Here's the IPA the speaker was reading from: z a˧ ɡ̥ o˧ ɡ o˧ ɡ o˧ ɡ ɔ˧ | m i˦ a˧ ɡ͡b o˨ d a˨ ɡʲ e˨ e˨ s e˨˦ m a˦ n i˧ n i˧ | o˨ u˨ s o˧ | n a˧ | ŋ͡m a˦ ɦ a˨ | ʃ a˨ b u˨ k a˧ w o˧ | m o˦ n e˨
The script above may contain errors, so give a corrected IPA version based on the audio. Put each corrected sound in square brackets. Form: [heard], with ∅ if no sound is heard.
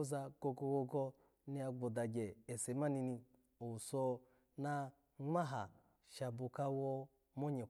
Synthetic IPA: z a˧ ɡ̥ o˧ ɡ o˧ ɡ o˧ ɡ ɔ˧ | [n] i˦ a˧ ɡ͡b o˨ d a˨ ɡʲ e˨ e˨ s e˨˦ m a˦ n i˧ n i˧ | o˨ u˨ s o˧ | n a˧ | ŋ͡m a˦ ɦ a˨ | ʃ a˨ b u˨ k a˧ w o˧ | m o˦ [ɲ] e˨